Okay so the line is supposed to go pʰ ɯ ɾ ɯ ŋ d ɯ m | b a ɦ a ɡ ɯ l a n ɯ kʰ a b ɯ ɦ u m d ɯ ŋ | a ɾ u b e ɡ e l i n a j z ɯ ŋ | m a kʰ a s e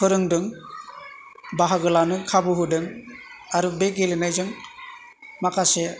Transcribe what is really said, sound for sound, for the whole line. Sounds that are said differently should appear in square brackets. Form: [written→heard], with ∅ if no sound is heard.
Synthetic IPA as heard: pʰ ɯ ɾ ɯ ŋ d ɯ [m→ŋ] | b a ɦ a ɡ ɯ l a n ɯ kʰ a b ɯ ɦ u [m→∅] d ɯ ŋ | a ɾ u b e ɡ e l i n a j z ɯ ŋ | m a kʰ a s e